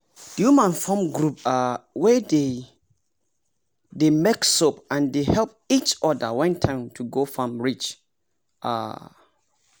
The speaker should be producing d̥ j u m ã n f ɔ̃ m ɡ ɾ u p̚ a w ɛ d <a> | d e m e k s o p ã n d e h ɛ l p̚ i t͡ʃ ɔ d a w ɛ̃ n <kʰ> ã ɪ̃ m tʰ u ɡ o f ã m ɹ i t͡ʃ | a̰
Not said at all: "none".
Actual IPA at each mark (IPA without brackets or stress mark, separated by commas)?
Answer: e, tʰ